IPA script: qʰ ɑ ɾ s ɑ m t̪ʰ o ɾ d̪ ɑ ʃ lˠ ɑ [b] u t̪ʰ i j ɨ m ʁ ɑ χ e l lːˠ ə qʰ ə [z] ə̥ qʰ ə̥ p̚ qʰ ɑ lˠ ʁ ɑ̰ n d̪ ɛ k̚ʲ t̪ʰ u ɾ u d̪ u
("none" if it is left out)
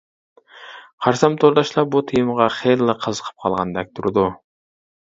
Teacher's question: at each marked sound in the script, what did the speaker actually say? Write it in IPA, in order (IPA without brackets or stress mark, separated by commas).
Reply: b, z